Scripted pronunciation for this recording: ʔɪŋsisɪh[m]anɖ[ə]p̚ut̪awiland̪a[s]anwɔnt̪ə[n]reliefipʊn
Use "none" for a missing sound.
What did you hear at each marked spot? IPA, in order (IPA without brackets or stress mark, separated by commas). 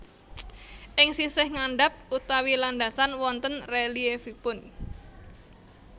ŋ, a, s, n